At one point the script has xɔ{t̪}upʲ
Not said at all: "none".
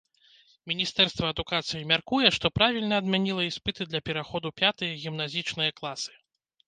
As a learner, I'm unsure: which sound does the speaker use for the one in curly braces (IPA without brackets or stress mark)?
d̪